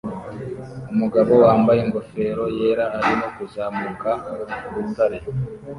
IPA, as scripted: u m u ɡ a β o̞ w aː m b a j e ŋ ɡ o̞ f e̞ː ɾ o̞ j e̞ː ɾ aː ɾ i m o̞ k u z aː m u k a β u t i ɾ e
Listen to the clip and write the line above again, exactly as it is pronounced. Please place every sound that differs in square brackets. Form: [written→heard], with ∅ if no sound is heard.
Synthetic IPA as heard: u m u ɡ a β o̞ w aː m b a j e ŋ ɡ o̞ f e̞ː ɾ o̞ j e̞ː ɾ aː ɾ i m o̞ k u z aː m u k a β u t [i→a] ɾ e